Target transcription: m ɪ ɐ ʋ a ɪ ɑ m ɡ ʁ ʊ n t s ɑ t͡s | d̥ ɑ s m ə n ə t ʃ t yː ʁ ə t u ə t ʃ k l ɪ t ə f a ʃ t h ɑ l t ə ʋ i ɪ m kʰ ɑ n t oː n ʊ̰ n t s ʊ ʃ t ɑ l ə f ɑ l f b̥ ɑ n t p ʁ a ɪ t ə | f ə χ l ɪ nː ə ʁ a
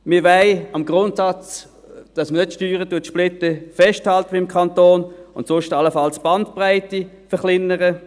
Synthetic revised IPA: m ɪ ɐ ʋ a ɪ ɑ m ɡ ʁ ʊ n t s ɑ t͡s | d̥ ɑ s m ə n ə t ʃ t yː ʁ ə t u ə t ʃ p l ɪ t ə f ɛ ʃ t h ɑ l t ə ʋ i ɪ m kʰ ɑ n t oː n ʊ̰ n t s ʊ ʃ t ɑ l ə f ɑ l s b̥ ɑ n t p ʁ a ɪ t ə | f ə χ l ɪ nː ə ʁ ə